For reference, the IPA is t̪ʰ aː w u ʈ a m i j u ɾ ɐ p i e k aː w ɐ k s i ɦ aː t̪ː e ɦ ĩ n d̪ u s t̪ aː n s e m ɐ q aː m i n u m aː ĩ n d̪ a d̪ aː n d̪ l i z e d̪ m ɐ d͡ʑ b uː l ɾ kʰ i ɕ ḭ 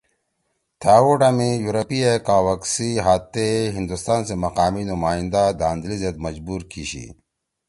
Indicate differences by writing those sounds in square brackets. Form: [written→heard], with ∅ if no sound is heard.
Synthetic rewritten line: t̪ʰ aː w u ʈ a m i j u ɾ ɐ p i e k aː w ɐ k s i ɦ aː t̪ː e ɦ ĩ n d̪ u s t̪ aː n s e m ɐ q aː m i n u m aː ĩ n d̪ a d̪ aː n d̪ l i z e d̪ m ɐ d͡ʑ b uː [l→∅] ɾ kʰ i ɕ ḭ